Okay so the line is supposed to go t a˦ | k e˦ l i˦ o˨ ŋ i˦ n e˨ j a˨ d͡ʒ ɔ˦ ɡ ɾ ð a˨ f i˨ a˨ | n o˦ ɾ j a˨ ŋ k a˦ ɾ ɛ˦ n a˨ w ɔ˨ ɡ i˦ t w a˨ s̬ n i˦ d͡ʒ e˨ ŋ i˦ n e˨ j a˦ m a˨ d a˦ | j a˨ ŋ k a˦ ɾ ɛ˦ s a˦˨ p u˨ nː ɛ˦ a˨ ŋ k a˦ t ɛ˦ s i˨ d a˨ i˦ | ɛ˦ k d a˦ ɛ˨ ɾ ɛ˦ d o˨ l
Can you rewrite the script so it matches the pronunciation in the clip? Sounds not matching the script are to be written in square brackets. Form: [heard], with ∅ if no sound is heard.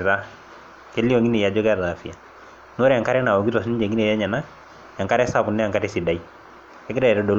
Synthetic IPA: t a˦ | k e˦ l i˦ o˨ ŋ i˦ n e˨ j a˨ d͡ʒ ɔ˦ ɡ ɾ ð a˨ f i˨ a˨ | n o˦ ɾ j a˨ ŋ k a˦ ɾ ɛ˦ n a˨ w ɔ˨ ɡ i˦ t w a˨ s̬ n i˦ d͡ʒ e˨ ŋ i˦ n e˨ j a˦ [ɲ] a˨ [n] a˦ | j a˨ ŋ k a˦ ɾ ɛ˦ s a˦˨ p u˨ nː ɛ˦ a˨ ŋ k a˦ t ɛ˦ s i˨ d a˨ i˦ | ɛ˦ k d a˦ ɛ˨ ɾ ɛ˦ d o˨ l

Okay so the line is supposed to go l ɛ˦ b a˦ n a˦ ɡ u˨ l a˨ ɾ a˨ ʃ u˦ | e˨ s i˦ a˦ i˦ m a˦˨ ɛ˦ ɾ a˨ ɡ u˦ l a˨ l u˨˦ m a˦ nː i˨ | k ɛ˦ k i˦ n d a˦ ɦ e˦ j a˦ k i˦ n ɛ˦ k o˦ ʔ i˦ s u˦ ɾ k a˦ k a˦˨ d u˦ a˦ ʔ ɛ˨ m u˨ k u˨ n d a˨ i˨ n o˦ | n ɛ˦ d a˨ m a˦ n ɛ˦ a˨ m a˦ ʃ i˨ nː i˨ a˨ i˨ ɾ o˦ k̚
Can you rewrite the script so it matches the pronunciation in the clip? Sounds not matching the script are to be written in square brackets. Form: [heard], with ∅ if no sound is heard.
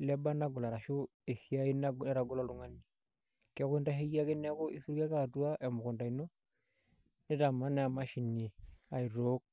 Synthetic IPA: l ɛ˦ b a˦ n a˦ ɡ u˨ l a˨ ɾ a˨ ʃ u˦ | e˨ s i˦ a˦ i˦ [n] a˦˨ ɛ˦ ɾ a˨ ɡ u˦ l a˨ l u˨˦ [ŋ] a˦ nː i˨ | k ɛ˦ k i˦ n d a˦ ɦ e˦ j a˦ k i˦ n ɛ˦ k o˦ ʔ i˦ s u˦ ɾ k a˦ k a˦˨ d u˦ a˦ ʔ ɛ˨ m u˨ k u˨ n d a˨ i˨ n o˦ | n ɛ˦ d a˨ m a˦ n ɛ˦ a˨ m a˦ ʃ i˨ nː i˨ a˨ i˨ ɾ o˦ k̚

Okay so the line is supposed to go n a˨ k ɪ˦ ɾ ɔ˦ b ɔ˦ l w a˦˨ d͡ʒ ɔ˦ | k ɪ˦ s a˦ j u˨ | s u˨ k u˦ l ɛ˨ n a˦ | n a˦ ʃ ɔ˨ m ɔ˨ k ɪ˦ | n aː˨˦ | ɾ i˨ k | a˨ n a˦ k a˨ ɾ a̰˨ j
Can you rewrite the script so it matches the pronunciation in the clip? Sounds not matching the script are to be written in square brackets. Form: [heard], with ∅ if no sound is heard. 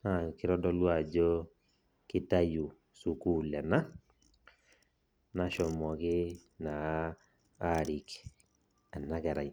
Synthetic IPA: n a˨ k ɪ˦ ɾ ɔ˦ [d] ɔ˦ l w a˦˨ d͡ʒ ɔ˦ | k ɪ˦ [t] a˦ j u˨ | s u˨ k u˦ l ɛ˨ n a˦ | n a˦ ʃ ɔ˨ m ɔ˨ k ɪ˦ | n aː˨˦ | ɾ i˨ k | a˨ n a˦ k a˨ ɾ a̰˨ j

